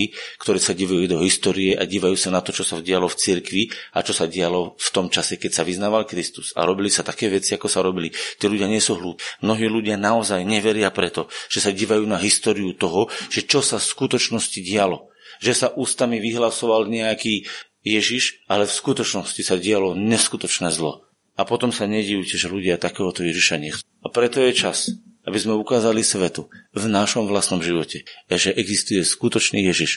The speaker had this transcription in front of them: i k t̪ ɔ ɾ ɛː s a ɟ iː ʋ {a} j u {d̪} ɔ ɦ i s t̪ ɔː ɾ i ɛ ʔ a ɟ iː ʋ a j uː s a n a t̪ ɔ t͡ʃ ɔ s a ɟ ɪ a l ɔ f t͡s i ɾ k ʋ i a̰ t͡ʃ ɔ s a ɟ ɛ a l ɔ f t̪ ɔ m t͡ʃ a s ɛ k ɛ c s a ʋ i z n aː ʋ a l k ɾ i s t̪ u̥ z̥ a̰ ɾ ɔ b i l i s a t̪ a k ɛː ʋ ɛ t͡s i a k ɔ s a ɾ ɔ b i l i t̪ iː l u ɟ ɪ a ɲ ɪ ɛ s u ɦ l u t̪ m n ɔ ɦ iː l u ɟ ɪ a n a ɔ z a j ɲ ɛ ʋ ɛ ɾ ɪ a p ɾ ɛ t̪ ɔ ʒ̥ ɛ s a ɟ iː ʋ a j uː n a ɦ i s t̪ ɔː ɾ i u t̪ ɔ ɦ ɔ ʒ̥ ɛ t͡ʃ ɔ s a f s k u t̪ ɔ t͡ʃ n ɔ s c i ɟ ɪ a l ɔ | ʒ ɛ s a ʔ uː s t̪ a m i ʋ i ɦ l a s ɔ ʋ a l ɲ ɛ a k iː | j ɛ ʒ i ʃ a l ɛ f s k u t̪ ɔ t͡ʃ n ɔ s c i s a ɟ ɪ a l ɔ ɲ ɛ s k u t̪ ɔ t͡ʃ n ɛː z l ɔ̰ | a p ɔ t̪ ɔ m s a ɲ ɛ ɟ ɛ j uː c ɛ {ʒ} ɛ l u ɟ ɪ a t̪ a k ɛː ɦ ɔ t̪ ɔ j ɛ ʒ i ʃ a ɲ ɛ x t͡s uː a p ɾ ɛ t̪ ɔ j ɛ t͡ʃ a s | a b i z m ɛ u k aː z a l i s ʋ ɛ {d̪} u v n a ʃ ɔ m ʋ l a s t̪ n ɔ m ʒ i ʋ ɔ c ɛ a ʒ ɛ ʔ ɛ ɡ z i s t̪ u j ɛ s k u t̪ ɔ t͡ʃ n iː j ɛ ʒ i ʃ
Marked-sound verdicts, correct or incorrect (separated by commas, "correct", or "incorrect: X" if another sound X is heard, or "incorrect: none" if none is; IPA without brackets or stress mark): correct, correct, correct, incorrect: t̪